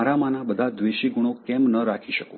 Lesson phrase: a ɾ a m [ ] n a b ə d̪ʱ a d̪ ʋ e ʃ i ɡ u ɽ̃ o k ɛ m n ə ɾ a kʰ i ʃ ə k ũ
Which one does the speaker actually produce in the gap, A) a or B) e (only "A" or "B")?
A